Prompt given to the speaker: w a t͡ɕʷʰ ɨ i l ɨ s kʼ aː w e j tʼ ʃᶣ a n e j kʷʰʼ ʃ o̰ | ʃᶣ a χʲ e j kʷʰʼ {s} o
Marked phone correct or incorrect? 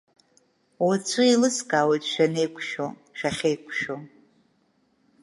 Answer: incorrect